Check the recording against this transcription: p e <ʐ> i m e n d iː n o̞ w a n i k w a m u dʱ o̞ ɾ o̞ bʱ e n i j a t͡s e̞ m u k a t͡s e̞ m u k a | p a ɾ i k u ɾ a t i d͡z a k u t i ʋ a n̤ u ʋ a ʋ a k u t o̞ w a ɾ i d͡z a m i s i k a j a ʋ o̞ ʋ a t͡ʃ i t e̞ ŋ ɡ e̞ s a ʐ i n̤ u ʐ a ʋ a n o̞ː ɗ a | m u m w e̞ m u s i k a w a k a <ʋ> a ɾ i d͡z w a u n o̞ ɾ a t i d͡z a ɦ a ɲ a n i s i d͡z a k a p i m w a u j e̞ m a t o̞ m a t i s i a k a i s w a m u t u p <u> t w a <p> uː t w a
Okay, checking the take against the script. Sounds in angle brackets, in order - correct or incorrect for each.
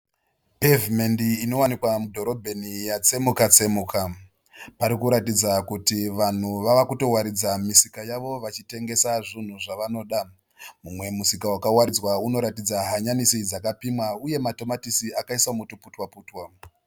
incorrect, incorrect, correct, correct

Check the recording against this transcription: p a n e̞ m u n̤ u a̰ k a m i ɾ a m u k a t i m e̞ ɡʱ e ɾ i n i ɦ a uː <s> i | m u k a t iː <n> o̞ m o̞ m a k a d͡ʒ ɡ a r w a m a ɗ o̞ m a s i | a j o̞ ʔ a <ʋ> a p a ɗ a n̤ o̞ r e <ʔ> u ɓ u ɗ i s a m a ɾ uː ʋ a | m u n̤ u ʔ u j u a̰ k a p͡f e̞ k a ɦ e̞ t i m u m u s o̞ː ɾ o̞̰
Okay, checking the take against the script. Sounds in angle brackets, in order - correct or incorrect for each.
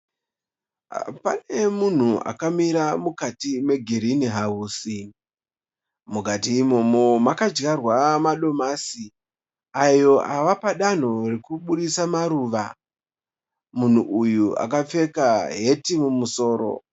correct, incorrect, correct, incorrect

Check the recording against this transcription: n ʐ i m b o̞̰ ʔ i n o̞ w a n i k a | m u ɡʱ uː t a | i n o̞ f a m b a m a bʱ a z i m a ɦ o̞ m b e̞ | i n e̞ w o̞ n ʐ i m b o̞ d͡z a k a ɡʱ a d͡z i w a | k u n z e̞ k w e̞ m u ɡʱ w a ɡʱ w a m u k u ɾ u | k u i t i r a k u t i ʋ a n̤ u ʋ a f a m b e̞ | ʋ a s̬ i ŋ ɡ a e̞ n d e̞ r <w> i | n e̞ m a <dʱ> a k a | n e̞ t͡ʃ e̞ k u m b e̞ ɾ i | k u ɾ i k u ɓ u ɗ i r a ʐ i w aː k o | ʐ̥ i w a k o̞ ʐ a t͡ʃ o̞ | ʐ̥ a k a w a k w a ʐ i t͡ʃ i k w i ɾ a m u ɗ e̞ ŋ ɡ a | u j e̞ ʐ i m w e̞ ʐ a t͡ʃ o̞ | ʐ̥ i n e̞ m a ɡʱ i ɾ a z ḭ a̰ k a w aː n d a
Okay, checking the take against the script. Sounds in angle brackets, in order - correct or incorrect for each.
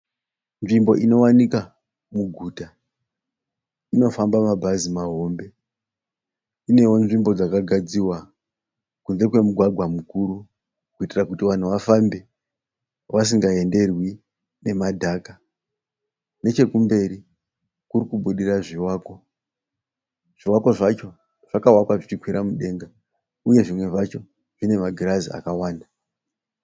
correct, correct

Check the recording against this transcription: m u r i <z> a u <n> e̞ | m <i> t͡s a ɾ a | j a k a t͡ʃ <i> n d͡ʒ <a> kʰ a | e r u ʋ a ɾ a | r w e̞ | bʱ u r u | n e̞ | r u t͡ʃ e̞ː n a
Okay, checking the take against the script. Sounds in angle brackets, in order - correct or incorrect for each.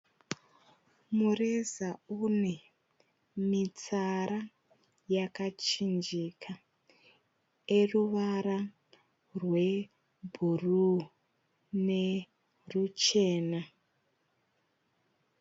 correct, correct, correct, correct, incorrect

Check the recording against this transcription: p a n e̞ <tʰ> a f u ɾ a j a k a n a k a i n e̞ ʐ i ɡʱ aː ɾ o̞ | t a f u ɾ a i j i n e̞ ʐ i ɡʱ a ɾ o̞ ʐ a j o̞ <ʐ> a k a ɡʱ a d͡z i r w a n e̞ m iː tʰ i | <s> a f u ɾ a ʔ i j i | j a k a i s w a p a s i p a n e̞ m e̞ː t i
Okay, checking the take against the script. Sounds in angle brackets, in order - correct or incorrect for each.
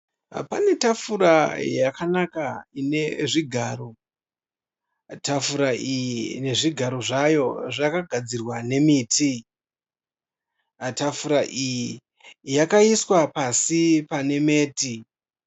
incorrect, correct, incorrect

